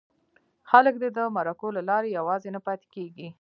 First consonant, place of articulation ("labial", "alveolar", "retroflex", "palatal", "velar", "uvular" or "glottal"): velar